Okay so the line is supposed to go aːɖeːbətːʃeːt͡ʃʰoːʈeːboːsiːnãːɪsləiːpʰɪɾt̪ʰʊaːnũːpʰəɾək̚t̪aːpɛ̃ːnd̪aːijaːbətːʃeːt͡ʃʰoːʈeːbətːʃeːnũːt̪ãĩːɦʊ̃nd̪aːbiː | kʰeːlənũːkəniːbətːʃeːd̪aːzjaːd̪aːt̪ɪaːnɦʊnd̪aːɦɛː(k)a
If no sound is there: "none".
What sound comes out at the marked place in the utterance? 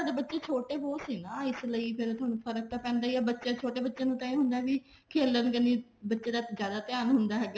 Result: ɡ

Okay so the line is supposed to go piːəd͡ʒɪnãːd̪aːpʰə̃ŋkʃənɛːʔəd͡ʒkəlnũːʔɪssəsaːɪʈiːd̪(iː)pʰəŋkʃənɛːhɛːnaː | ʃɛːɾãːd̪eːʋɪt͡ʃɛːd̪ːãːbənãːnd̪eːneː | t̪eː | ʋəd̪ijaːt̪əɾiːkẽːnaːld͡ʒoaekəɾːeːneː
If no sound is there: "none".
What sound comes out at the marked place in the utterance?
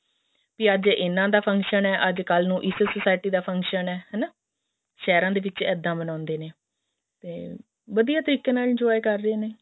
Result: aː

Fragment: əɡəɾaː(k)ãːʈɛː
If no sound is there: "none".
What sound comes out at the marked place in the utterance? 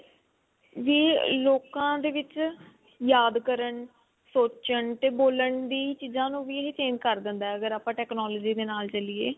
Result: p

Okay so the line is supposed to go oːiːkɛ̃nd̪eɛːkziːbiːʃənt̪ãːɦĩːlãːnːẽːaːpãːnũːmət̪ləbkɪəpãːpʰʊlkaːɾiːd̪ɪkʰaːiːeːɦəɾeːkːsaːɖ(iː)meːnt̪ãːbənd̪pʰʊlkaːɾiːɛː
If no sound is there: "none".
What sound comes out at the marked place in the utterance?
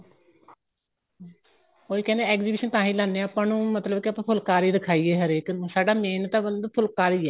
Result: aː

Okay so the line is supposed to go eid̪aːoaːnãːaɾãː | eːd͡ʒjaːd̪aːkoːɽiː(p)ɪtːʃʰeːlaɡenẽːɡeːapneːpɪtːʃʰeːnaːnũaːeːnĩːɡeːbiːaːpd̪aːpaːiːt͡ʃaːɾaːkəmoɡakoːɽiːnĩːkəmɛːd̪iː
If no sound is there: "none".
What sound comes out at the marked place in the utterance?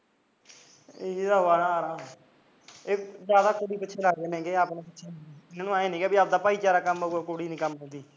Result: p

